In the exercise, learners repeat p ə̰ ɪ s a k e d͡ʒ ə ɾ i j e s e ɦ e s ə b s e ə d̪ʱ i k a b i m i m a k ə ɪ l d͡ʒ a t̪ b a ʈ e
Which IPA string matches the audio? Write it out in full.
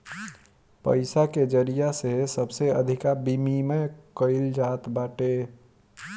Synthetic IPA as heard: p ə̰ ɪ s a k e d͡ʒ ə ɾ i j a s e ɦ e s ə b s e ə d̪ʱ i k a b i m i m e k ə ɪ l d͡ʒ a t̪ b a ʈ e